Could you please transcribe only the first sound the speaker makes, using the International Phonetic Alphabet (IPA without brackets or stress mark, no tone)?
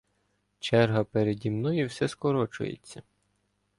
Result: t͡ʃ